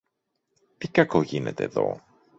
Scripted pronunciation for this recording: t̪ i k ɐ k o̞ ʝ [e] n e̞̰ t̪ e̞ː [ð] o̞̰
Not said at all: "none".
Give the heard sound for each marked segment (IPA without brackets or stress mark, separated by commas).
i, ð